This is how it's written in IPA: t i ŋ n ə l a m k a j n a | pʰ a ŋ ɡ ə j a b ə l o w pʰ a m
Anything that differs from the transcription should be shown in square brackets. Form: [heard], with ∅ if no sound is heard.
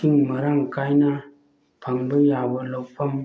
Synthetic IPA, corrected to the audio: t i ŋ [m] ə [ɾ] a [ŋ] k a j n a | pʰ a ŋ [b] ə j a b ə l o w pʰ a m